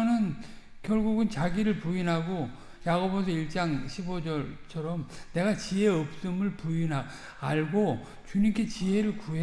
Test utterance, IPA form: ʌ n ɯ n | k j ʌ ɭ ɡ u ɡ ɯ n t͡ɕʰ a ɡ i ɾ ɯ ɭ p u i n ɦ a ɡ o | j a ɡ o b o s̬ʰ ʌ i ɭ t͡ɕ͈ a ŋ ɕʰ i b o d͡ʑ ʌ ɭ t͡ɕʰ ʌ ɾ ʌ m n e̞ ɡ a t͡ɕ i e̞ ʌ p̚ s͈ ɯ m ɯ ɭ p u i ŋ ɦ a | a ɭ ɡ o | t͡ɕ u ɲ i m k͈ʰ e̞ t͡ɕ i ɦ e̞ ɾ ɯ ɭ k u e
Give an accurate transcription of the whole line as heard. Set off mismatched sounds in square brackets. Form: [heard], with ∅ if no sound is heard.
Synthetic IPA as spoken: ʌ n ɯ n | k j ʌ ɭ ɡ u ɡ ɯ n [t͡ɕ] a ɡ i ɾ ɯ ɭ p u i n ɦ a ɡ o | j a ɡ o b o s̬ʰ ʌ i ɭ t͡ɕ͈ a ŋ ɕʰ i b o d͡ʑ ʌ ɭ t͡ɕʰ ʌ ɾ ʌ m n e̞ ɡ a t͡ɕ i e̞ ʌ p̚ s͈ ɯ m ɯ ɭ p u i [n] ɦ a | a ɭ ɡ o | t͡ɕ u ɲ i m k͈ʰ e̞ t͡ɕ i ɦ e̞ ɾ ɯ ɭ k u e